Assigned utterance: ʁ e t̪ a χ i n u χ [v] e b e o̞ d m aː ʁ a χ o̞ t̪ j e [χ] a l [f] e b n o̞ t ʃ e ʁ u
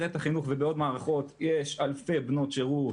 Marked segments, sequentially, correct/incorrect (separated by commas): correct, incorrect, correct